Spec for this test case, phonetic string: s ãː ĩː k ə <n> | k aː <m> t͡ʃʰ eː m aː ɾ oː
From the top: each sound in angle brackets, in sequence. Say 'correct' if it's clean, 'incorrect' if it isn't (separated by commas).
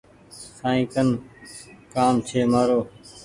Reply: correct, correct